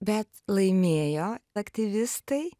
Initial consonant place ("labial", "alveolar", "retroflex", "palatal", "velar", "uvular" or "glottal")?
labial